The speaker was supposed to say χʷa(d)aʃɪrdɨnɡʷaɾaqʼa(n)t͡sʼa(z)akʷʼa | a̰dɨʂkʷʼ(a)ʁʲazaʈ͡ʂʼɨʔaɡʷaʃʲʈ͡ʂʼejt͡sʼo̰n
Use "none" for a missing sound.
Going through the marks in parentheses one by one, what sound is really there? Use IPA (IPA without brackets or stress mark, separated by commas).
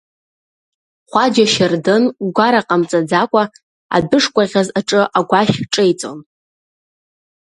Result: d͡ʒ, m, d͡z, a